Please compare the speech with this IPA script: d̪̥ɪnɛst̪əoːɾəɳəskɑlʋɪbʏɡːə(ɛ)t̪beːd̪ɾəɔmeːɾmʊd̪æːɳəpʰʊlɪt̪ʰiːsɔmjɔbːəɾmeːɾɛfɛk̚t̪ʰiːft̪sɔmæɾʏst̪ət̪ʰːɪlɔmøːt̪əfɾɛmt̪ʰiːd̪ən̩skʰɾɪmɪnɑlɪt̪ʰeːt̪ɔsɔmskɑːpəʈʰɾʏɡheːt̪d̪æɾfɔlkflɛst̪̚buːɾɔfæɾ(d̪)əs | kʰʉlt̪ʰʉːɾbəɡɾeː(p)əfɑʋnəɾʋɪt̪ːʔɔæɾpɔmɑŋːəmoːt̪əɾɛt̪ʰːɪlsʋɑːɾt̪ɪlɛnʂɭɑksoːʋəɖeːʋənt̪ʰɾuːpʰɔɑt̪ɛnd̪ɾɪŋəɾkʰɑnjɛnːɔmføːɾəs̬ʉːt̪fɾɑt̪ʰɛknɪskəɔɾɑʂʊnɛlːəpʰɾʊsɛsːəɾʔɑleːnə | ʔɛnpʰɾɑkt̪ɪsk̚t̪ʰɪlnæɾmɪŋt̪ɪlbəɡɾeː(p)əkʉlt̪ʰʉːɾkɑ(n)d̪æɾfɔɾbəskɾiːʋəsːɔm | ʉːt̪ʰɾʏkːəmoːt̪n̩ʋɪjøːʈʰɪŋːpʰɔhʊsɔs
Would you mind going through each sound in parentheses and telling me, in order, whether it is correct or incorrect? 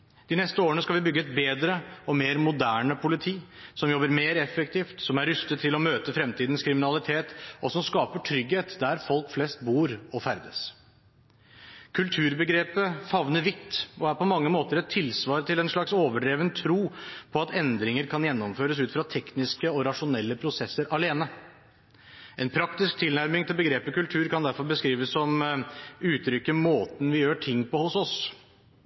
correct, correct, correct, correct, correct

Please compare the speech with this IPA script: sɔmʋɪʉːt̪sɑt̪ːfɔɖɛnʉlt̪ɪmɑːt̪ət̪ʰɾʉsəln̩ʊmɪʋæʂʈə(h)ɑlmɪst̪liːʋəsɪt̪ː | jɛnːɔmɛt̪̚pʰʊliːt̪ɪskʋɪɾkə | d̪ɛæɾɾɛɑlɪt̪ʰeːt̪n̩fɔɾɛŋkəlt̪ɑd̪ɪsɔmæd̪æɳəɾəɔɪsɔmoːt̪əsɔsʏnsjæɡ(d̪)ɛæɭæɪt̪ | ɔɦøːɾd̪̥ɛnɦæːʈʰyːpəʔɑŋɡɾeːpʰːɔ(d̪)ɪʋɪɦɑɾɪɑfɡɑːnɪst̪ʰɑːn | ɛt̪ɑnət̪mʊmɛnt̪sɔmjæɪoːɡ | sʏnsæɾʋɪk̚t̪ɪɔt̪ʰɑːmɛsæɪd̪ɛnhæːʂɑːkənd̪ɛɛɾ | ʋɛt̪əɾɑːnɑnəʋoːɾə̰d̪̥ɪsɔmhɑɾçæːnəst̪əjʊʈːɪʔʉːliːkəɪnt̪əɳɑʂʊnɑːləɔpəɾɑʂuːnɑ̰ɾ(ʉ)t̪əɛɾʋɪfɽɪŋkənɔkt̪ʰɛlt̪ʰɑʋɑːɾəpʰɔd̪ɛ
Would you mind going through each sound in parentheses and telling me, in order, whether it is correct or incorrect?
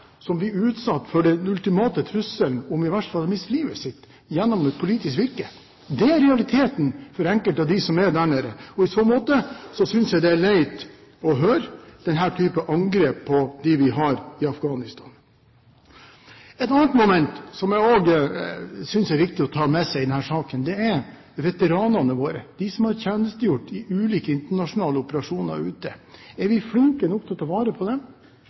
incorrect, correct, correct, incorrect

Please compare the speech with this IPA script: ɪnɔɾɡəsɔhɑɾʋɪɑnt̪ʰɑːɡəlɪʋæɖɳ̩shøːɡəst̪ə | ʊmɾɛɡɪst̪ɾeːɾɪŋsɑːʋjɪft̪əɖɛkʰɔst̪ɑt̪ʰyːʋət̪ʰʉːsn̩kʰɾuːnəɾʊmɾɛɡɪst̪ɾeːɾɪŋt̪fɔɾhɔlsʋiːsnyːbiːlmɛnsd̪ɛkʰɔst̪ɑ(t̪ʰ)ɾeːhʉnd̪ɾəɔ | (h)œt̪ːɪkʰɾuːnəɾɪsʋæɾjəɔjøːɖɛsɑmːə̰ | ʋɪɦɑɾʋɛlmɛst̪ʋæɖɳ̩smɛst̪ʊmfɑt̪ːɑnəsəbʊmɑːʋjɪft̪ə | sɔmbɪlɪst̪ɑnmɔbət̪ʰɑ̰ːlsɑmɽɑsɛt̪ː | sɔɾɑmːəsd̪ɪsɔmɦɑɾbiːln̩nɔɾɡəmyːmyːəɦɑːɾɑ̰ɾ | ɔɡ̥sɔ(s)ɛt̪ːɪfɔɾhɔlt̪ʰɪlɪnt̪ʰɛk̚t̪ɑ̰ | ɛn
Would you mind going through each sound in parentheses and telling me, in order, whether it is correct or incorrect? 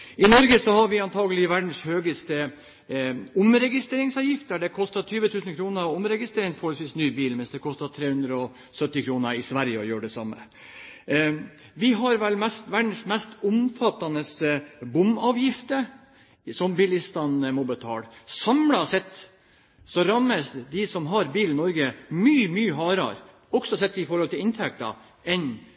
correct, incorrect, correct

